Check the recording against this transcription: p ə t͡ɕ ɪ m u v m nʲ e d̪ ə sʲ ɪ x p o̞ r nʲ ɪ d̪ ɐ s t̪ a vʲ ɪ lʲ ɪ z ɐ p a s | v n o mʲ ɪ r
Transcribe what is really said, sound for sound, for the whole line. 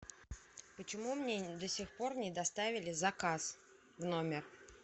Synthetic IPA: p ə t͡ɕ ɪ m u m nʲ e d̪ ə sʲ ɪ x p o̞ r nʲ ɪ d̪ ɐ s t̪ a vʲ ɪ lʲ ɪ z ɐ k a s | v n o mʲ ɪ r